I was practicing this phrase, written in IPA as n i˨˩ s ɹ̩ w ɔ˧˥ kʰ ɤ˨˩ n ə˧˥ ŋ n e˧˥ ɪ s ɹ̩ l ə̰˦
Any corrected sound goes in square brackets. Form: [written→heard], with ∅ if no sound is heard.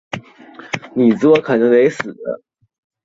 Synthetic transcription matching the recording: n i˨˩ [s→t͡s] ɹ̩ w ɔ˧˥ kʰ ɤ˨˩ n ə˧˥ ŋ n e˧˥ ɪ s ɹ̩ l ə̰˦